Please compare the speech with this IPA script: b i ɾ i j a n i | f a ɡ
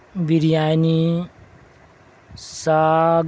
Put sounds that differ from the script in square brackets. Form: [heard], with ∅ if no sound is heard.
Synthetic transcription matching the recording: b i ɾ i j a n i | [s] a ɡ